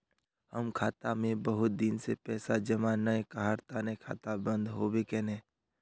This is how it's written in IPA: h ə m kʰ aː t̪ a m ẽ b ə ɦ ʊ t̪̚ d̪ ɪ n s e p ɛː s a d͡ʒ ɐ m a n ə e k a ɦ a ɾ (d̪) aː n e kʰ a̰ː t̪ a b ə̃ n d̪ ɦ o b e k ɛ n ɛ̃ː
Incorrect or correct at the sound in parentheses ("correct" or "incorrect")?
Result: incorrect